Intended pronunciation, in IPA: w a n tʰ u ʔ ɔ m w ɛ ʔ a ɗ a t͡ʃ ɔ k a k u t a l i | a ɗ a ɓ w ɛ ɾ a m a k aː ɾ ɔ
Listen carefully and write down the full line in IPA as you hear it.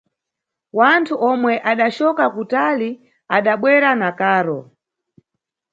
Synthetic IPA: w a n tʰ u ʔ ɔ m w ɛ ʔ a ɗ a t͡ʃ ɔ k a k u t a l i | a ɗ a ɓ w ɛ ɾ a n a k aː ɾ ɔ